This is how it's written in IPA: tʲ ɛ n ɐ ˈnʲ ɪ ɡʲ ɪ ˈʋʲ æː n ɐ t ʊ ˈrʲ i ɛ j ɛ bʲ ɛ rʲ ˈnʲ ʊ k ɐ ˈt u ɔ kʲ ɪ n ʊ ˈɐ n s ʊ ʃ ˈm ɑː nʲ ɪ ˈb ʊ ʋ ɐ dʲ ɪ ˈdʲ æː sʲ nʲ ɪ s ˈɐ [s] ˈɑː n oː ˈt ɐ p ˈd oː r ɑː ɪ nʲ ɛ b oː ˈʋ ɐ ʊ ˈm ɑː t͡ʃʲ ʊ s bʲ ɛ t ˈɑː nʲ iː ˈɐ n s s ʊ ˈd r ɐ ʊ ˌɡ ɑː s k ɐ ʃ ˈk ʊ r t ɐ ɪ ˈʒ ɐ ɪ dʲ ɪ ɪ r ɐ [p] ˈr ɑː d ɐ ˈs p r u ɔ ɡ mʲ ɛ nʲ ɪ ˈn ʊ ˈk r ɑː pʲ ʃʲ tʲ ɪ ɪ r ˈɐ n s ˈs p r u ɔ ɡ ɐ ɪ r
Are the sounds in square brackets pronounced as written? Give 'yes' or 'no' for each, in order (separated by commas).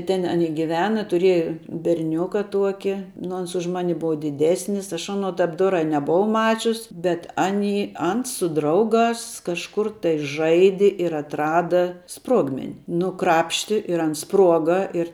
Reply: no, no